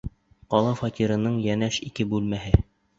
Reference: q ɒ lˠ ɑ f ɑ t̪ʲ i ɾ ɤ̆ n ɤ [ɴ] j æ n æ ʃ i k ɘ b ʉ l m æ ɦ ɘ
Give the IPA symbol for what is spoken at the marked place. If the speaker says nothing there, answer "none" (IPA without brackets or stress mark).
ɴ